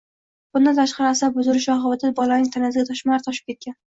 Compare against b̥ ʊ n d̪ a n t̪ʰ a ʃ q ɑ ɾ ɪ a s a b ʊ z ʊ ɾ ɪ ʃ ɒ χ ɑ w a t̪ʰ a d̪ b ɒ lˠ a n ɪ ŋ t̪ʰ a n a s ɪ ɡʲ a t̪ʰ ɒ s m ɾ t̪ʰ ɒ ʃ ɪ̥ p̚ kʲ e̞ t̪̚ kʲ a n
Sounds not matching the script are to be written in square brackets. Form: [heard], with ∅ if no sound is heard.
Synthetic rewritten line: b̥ ʊ n d̪ a n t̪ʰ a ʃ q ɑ ɾ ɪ a s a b ʊ z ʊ ɾ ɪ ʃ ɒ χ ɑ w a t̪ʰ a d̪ b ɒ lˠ a n ɪ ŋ t̪ʰ a n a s ɪ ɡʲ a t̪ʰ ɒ [ʃ] m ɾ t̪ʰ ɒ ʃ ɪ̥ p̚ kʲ e̞ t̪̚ kʲ a n